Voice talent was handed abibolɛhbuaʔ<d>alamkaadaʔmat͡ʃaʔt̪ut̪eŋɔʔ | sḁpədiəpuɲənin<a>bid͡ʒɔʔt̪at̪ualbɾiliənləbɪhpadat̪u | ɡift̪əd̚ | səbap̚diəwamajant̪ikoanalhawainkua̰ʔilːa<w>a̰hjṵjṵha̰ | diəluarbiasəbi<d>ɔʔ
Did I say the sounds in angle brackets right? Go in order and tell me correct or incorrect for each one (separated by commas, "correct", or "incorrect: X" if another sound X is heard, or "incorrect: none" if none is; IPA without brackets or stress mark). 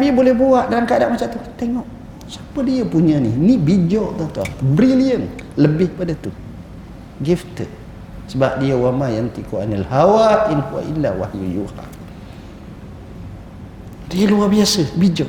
correct, incorrect: i, correct, incorrect: d͡ʒ